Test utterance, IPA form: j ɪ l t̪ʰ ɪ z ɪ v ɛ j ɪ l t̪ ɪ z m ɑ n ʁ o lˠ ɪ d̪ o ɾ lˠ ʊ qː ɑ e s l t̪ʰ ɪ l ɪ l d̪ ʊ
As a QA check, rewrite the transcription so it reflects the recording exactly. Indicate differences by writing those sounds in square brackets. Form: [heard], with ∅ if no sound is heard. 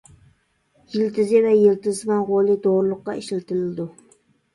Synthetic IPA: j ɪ l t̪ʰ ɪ z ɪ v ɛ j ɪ l t̪ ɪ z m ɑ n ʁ o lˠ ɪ d̪ o ɾ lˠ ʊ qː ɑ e [ʃ] l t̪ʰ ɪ l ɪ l d̪ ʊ